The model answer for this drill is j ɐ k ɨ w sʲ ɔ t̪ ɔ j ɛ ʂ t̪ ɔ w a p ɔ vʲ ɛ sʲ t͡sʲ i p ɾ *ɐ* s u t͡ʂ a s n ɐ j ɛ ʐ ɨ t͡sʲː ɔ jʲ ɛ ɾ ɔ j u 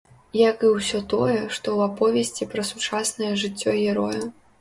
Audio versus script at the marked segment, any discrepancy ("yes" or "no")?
no